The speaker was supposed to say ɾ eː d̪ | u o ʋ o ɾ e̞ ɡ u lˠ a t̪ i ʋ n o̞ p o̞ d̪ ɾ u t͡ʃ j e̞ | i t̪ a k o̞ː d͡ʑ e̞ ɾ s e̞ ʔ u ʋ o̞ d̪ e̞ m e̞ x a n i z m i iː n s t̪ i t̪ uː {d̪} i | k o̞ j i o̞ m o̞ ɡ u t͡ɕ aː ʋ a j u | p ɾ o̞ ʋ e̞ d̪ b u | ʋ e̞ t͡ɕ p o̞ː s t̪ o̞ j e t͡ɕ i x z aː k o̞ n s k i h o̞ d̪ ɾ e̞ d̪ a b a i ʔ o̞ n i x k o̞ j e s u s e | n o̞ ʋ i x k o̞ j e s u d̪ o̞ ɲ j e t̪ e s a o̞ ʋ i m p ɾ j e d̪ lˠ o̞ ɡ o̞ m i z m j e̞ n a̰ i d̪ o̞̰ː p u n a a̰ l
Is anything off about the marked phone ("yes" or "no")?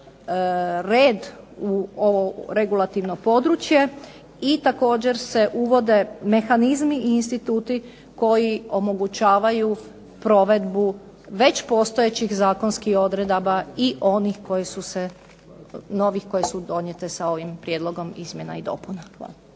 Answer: yes